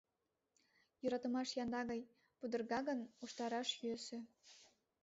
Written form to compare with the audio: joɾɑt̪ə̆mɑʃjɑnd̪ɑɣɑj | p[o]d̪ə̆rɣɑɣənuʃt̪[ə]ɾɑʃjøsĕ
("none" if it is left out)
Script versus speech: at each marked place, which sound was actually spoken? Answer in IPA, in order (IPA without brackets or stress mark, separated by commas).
u, ɑ